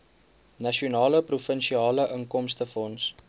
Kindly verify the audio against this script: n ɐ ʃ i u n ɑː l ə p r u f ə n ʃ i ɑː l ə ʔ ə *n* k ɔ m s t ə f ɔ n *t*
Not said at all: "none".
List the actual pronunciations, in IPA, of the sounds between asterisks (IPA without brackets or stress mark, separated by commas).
ŋ, s